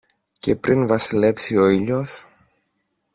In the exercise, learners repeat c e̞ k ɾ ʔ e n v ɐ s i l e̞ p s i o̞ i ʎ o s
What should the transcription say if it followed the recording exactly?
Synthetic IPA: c e̞ p ɾ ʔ i n v ɐ s i l e̞ p s i o̞ i ʎ o s